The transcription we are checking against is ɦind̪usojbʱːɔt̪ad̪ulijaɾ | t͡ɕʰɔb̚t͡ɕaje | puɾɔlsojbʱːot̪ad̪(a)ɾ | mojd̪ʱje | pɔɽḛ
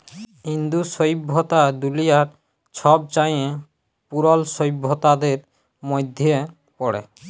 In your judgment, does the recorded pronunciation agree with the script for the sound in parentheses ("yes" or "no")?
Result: no